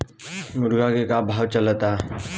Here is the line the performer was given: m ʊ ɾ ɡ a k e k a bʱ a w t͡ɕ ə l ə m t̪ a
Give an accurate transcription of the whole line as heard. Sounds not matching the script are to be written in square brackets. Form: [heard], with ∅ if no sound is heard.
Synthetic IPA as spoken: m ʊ ɾ ɡ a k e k a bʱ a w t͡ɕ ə l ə [∅] t̪ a